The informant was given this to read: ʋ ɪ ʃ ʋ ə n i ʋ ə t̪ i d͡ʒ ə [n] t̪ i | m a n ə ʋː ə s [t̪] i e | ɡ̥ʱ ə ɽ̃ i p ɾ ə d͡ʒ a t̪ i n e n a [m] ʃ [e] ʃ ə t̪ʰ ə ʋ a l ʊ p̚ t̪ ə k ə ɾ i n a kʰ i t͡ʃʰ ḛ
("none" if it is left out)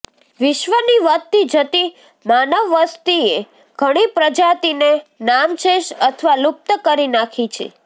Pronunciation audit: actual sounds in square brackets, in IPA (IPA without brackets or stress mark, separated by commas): none, t̪, m, e